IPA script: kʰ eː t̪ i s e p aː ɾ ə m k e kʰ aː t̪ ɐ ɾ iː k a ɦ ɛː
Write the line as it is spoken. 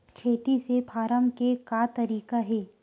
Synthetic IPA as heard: kʰ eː t̪ i s e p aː ɾ ə m k e k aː t̪ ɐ ɾ iː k a ɦ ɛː